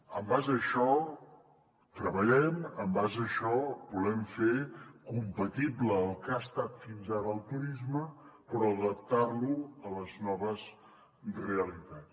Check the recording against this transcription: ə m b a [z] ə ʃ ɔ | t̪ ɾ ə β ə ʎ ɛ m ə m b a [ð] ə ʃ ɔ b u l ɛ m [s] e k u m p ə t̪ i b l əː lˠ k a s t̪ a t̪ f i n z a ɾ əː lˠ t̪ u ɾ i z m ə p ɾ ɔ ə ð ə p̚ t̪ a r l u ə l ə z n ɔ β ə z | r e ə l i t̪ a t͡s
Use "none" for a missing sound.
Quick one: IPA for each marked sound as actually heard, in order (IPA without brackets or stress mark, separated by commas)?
z, z, f